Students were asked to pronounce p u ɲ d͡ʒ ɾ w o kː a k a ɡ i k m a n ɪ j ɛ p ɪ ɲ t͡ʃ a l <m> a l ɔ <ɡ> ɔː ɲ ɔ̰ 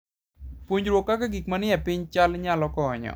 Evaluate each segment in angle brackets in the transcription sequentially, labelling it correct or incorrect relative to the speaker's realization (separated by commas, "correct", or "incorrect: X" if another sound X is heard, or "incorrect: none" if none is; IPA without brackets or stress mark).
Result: incorrect: ɲ, incorrect: k